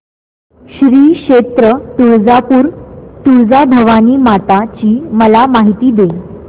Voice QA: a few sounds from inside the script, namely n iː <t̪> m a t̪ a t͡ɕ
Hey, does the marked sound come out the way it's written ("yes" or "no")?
no